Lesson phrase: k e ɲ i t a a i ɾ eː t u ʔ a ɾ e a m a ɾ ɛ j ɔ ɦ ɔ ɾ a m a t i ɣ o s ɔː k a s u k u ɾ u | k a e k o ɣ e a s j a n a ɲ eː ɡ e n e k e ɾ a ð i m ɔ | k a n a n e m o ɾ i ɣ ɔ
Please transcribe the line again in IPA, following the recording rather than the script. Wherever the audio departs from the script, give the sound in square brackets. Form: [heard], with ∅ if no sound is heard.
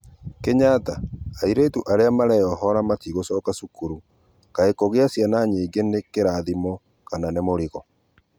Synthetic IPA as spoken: k e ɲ [a] t a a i ɾ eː t u ʔ a ɾ e a m a ɾ ɛ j ɔ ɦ ɔ ɾ a m a t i ɣ o s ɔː k a s u k u ɾ u | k a e k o ɣ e a s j a n a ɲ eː ɡ e n e k e ɾ a ð i m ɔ | k a n a n e m o ɾ i ɣ ɔ